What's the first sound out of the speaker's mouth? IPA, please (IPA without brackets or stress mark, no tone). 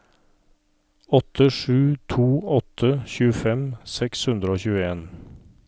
ɔ